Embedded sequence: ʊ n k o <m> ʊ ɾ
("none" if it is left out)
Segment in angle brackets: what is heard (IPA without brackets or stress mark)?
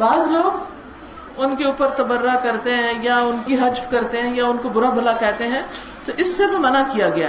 b